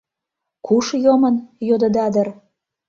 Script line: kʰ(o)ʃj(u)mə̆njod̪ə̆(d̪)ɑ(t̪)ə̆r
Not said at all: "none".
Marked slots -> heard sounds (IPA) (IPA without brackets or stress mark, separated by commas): u, o, d̪, d̪